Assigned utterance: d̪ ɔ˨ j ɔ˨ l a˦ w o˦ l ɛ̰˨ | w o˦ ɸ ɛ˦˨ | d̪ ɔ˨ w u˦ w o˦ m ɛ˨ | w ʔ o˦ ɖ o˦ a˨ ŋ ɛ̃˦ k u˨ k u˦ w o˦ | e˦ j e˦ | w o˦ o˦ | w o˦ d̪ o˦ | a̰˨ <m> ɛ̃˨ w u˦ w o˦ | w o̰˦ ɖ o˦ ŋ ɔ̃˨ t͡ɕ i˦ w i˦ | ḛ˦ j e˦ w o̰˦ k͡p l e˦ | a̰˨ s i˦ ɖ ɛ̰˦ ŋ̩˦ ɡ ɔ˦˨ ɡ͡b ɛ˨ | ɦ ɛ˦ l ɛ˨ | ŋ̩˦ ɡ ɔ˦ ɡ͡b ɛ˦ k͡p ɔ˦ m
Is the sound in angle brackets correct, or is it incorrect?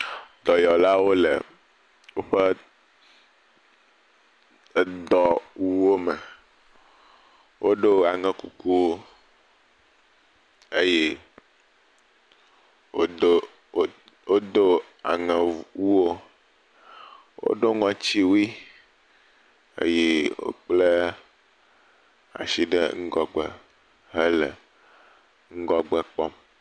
incorrect